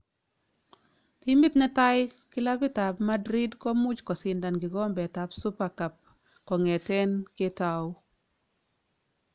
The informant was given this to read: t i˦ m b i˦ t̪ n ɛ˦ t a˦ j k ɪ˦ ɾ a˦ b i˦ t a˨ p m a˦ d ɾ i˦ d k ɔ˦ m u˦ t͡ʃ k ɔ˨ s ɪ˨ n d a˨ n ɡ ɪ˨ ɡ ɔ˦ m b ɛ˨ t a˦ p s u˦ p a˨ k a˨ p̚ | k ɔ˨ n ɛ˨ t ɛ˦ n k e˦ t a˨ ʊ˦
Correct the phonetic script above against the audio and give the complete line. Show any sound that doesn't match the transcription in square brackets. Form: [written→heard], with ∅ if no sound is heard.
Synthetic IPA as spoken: t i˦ m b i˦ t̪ n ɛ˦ t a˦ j k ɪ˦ [ɾ→l] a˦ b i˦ t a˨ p m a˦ d ɾ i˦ d k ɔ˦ m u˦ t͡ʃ k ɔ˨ s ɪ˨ n d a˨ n ɡ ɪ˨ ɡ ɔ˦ m b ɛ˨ t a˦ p s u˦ p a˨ k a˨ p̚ | k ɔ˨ [n→ŋ] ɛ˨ t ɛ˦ n k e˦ t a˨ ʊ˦